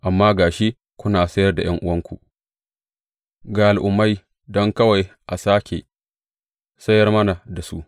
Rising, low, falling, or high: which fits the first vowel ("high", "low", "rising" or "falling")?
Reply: low